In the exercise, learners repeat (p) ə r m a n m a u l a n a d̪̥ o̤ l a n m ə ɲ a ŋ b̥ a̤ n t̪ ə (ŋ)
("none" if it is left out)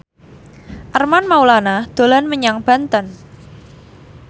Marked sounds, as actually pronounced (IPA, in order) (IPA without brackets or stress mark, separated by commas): ʔ, n